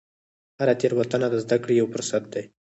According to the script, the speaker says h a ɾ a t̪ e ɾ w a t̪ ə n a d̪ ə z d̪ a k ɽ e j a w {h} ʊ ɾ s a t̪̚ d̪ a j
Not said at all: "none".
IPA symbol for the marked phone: f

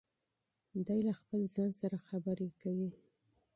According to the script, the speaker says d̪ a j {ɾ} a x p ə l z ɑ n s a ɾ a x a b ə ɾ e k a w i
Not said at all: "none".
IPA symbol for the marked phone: l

